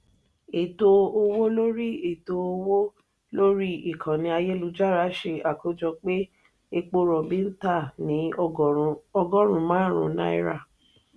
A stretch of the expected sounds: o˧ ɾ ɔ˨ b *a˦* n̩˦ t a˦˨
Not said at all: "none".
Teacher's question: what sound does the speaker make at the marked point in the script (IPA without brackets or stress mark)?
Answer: i˦